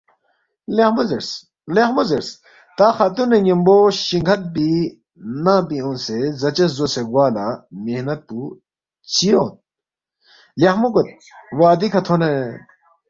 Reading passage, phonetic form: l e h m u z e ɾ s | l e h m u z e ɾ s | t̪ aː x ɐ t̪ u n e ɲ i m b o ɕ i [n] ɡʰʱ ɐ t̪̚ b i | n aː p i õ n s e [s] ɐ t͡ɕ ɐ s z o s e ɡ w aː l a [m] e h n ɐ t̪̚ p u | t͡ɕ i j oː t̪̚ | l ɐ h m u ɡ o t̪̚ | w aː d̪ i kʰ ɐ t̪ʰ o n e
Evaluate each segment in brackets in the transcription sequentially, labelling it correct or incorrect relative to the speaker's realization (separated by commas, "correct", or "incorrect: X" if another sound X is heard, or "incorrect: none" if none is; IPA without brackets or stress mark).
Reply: incorrect: ŋ, incorrect: z, correct